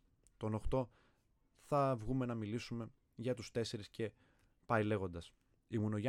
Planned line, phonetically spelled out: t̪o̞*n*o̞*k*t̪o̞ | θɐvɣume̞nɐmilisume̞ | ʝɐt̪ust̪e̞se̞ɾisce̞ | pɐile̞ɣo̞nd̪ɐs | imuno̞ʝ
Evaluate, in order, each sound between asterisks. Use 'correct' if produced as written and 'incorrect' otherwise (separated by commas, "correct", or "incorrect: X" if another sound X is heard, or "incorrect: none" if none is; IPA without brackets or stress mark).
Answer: correct, incorrect: x